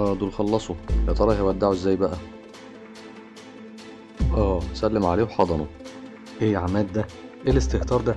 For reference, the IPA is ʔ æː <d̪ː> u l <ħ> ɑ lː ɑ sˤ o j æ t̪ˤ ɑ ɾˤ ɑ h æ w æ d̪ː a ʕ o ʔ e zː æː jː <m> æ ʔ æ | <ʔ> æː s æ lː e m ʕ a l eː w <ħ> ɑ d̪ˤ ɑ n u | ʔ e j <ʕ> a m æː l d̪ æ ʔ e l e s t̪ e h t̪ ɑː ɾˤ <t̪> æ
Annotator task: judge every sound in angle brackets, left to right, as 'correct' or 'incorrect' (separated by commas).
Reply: incorrect, incorrect, incorrect, correct, correct, correct, incorrect